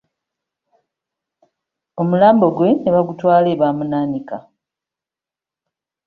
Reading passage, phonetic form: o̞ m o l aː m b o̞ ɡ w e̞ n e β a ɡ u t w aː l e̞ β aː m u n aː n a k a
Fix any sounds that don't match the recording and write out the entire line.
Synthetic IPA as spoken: o̞ m u l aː m b o̞ ɡ w e̞ n e β a ɡ u t w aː l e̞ β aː m u n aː n i k a